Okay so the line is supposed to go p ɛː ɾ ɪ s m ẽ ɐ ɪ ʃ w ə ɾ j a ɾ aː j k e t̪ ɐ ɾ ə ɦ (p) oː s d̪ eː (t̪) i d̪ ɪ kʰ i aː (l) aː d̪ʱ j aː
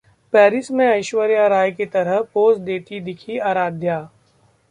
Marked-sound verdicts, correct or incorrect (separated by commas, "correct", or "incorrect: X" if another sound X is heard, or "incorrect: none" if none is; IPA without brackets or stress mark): correct, correct, incorrect: ɾ